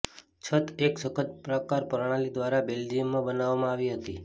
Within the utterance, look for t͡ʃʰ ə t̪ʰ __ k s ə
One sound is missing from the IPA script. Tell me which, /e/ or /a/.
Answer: e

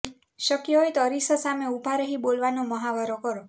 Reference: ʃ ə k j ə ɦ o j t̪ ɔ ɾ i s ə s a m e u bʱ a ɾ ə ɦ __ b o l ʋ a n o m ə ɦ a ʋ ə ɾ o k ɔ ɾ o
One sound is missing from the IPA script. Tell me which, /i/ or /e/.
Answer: i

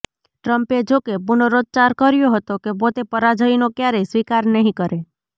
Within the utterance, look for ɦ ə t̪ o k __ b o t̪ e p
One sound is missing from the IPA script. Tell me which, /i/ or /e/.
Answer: e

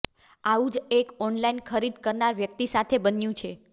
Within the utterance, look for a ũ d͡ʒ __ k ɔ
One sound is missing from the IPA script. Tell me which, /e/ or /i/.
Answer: e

